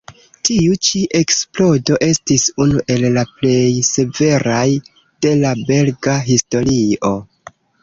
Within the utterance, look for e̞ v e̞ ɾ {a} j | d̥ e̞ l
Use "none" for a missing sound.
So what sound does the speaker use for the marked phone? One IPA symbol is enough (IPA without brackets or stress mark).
a